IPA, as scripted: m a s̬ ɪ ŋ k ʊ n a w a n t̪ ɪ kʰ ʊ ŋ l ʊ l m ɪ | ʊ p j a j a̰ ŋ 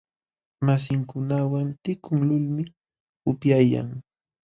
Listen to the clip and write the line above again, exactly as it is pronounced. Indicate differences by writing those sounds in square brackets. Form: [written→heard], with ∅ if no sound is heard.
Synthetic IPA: m a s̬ ɪ ŋ k ʊ n a w a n t̪ ɪ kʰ ʊ ŋ l ʊ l m ɪ | ʊ p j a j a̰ ŋ